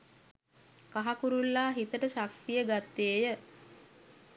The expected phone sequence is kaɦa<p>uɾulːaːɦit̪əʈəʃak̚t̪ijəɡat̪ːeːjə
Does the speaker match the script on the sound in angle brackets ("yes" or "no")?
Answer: no